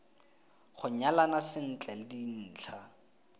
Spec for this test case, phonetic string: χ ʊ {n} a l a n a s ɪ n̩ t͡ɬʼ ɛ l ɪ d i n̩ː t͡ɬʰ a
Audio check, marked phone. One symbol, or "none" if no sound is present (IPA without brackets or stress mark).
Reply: ɲ